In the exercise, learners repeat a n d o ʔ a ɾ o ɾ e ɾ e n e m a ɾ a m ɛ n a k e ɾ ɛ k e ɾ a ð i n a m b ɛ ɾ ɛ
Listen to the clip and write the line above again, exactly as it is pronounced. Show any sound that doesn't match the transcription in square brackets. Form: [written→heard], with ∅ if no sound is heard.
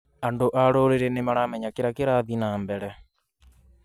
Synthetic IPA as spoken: a n d o ʔ a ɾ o ɾ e ɾ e n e m a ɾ a m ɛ [n→ɲ] a k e ɾ [ɛ→a] k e ɾ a ð i n a m b ɛ ɾ ɛ